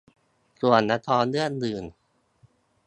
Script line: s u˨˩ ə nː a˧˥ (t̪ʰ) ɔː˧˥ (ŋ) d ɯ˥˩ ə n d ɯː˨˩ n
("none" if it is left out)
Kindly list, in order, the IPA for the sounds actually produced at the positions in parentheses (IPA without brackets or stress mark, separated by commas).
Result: t̪ʰ, n